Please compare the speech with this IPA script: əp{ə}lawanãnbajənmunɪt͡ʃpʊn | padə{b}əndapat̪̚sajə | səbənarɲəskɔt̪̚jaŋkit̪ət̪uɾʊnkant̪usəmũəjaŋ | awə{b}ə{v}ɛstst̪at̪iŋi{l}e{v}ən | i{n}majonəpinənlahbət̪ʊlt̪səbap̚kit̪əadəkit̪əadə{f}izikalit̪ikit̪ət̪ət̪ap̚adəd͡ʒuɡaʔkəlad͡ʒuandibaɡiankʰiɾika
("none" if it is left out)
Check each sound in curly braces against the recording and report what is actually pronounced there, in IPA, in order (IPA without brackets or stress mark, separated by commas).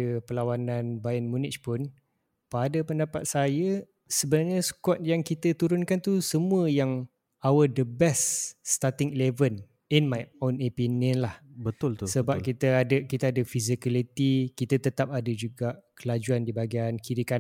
ə, p, d, b, l, v, n, f